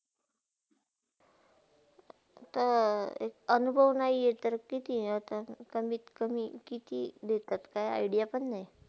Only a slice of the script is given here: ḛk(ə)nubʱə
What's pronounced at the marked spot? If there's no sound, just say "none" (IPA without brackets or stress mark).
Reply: ə